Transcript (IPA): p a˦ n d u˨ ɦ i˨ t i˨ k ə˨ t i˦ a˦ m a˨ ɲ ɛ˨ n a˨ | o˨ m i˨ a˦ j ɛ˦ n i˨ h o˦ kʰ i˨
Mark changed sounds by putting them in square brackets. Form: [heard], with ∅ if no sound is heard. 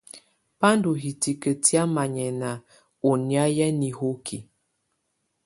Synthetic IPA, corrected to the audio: p a˦ n d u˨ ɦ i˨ t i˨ k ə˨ t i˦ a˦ m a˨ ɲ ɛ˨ n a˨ | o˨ [n] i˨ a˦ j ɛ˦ n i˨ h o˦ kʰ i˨